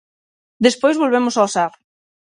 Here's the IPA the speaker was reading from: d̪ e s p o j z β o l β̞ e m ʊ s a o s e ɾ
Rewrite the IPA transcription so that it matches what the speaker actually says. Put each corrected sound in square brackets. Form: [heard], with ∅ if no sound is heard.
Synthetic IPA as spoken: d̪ e s p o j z β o l β̞ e m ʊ s a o s [a] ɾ